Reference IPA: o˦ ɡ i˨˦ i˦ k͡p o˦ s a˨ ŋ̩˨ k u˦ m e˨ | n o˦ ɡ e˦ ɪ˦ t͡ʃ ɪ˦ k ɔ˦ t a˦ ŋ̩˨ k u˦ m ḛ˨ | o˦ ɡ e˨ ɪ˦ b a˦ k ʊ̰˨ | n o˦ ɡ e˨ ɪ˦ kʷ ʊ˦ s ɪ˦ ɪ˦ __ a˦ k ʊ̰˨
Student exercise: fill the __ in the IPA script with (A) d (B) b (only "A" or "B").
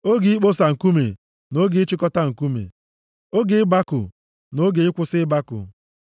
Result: B